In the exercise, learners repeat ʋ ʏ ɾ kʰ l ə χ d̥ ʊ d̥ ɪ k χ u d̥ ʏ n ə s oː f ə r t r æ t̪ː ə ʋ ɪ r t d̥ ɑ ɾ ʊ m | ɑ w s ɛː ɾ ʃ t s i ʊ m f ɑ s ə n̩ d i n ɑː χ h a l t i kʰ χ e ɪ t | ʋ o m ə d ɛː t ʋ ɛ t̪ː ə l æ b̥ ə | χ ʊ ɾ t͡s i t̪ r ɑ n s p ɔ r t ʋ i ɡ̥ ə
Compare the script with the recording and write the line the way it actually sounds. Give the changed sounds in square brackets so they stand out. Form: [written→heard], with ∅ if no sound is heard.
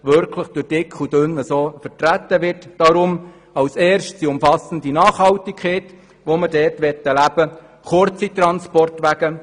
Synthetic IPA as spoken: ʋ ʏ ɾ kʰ l ə χ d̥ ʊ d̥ ɪ k χ u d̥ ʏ n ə s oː f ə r t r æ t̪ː ə ʋ ɪ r t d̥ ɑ ɾ ʊ m | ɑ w s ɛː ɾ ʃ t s i ʊ m f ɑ s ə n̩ d i n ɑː χ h [a→ɑ] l t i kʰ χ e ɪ t | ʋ o m ə d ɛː t ʋ ɛ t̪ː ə l æ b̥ ə | χ ʊ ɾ t͡s i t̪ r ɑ n s p ɔ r t ʋ [i→æ] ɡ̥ ə

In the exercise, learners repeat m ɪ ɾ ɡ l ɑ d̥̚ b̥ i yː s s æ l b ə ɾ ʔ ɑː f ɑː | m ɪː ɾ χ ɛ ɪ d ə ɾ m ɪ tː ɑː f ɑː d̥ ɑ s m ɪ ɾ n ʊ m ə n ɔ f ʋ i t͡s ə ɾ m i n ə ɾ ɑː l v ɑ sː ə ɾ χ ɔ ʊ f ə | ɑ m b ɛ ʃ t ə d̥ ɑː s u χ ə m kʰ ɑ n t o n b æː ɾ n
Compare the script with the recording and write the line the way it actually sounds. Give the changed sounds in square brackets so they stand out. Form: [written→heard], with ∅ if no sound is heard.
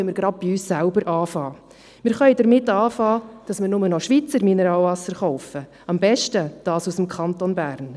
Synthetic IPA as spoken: m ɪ ɾ ɡ [l→ɾ] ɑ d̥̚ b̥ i yː s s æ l b ə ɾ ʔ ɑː f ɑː | m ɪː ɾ χ [ɛ→œ] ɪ d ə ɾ m ɪ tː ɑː f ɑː d̥ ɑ s m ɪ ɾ n ʊ m ə n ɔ [f→ʃ] ʋ i t͡s ə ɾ m i n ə ɾ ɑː l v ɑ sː ə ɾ χ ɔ ʊ f ə | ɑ m b ɛ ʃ t ə d̥ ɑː s u [χ→s] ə m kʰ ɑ n t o n b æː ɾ n

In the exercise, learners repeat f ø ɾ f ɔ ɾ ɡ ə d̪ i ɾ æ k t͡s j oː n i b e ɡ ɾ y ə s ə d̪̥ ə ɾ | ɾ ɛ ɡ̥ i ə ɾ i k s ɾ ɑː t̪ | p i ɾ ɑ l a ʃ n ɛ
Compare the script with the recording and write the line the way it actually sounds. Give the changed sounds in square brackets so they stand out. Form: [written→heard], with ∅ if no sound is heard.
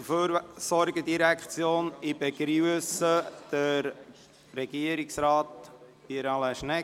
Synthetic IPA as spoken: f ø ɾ [f→s] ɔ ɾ ɡ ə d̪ i ɾ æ k t͡s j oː n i b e ɡ ɾ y ə s ə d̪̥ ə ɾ | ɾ ɛ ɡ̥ i ə ɾ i k s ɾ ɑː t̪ | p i ɾ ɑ l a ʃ n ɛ

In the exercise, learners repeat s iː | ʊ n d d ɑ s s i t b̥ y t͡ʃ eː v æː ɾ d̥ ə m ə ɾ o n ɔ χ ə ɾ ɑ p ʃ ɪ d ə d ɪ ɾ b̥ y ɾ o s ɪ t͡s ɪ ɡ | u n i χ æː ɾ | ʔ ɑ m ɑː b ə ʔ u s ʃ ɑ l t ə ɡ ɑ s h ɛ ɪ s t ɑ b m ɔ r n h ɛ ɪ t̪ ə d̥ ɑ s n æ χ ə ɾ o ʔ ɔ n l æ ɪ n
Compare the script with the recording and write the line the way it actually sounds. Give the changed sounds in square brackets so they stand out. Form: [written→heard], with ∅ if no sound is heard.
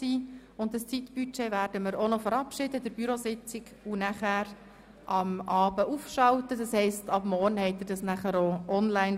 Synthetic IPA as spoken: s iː | ʊ n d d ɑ s [s→t͡s] i t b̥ y t͡ʃ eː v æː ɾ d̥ ə m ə ɾ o n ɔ [χ→f] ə ɾ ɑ p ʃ ɪ d ə d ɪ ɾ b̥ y ɾ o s ɪ t͡s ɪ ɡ | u n [i→æ] χ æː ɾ | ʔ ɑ m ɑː b ə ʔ u [s→f] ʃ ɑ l t ə [ɡ→d] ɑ s h ɛ ɪ s t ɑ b m ɔ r n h ɛ ɪ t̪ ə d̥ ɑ s n æ χ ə ɾ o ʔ ɔ n l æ ɪ n

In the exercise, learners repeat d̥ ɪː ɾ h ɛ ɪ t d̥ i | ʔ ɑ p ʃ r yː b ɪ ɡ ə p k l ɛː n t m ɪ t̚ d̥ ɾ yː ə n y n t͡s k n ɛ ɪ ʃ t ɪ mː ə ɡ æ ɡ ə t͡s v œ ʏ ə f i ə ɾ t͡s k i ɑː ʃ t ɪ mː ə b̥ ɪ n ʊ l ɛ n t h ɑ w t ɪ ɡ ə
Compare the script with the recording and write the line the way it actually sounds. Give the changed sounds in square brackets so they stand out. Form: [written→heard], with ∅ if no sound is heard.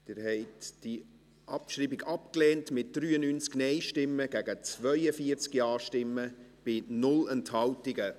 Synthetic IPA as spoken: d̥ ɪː ɾ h ɛ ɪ t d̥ i | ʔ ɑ p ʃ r [yː→iː] b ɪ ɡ [ə→ɑ] p k l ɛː n t m ɪ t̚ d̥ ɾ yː ə n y n t͡s k n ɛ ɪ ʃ t ɪ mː ə ɡ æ ɡ ə t͡s v œ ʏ ə f i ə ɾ t͡s k [i→j] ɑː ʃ t ɪ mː ə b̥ ɪ n ʊ l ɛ n t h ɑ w t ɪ ɡ ə

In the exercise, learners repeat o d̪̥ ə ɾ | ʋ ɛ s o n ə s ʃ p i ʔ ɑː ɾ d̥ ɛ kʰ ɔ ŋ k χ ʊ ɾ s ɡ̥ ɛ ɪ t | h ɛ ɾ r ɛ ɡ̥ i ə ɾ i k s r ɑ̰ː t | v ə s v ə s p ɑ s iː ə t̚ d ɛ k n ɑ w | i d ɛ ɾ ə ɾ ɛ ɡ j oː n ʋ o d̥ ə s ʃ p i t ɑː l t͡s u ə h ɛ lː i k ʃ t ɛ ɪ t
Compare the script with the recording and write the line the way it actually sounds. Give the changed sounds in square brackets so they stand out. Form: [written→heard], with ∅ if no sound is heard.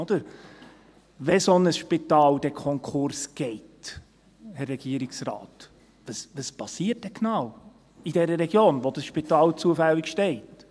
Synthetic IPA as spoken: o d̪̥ ə ɾ | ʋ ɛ s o n ə s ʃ p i [ʔ→t] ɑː [ɾ→l] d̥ ɛ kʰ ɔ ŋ k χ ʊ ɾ s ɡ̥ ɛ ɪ t | h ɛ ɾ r ɛ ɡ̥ i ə ɾ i k s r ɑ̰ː t | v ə s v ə s p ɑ s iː ə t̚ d ɛ k n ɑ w | i d ɛ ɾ ə ɾ ɛ ɡ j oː n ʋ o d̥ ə s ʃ p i t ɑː l t͡s u ə [h→f] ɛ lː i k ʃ t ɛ ɪ t

